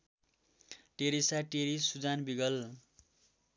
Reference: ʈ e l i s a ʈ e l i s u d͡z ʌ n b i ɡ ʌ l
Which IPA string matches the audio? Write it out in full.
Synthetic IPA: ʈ e ɾ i s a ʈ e ɾ i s u d͡z a n b i ɡ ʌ l